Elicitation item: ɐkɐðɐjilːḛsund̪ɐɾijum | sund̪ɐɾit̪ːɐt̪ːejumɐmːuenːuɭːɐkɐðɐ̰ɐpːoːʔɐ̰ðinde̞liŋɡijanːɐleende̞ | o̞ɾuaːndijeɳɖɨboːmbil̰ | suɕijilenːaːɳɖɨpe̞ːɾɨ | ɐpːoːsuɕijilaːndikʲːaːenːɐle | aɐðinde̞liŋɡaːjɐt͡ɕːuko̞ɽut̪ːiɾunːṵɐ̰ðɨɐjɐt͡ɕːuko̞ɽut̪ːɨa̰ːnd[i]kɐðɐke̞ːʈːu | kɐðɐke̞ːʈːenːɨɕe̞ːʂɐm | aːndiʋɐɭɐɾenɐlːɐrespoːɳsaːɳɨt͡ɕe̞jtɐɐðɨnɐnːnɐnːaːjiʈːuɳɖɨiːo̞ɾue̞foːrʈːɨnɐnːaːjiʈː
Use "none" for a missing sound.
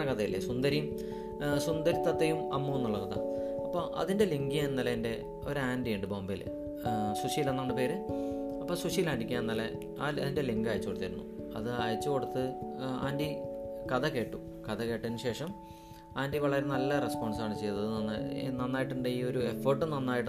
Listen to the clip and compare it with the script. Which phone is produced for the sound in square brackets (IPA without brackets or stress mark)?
i